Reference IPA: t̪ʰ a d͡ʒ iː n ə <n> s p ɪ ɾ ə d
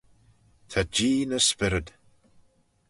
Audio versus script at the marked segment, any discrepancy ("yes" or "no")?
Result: yes